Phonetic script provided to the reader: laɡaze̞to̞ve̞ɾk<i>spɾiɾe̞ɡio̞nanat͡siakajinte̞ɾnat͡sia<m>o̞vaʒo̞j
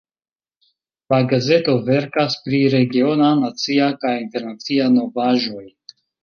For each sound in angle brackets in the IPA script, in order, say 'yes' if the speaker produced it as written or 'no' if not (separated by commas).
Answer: no, no